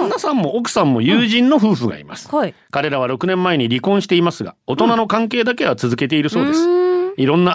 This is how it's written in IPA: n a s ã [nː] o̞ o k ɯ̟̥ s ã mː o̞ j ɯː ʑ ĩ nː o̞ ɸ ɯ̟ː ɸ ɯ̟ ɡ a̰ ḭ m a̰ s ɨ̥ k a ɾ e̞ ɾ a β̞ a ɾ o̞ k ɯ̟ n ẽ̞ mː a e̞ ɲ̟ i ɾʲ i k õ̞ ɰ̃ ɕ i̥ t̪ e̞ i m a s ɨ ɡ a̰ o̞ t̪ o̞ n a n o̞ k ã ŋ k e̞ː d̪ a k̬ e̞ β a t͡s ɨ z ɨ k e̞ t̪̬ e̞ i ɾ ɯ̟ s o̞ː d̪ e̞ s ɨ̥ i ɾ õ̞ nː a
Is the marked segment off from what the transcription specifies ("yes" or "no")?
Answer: yes